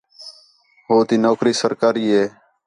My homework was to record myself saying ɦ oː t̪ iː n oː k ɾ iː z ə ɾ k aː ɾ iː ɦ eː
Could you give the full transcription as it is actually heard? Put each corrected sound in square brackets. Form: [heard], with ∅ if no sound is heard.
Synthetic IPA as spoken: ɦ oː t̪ iː n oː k ɾ iː [s] ə ɾ k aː ɾ iː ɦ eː